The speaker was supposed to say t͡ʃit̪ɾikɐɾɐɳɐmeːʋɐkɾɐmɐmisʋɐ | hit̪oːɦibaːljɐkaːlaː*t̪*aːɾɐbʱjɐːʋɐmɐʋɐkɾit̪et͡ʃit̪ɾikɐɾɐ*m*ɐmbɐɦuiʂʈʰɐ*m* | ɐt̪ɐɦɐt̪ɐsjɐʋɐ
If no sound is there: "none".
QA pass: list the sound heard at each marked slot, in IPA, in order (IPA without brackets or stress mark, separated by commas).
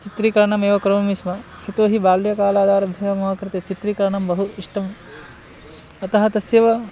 d̪, ɳ, m